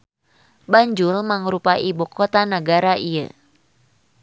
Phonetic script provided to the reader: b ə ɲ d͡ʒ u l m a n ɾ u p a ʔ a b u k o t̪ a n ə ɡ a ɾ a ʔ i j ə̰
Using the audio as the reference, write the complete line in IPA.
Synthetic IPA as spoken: b a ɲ d͡ʒ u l m a ŋ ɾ u p a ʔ i b u k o t̪ a n ə ɡ a ɾ a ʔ i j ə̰